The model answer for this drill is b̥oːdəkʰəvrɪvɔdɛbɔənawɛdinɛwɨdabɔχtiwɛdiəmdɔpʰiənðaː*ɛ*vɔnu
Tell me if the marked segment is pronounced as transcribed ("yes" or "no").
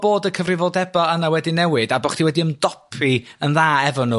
yes